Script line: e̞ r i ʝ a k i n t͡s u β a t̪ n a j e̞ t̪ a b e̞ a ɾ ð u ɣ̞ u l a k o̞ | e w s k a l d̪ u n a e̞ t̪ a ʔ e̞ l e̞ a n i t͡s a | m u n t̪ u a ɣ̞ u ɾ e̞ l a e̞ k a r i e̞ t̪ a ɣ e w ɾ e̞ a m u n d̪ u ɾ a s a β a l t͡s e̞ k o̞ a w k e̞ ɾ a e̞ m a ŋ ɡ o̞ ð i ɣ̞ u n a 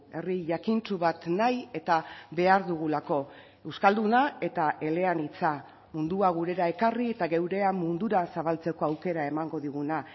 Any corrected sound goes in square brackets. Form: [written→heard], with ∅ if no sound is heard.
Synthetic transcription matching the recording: e̞ r i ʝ a k i n t͡s u β a t̪ n a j e̞ t̪ a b e̞ a ɾ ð u ɣ̞ u l a k o̞ | e w s k a l d̪ u n a e̞ t̪ a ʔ e̞ l e̞ a n i t͡s a | m u n [t̪→d̪] u a ɣ̞ u ɾ e̞ [l→ɾ] a e̞ k a r i e̞ t̪ a ɣ e w ɾ e̞ a m u n d̪ u ɾ a s a β a l t͡s e̞ k o̞ a w k e̞ ɾ a e̞ m a ŋ ɡ o̞ ð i ɣ̞ u n a